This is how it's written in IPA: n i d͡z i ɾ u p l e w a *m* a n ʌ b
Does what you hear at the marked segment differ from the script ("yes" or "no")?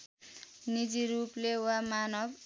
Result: no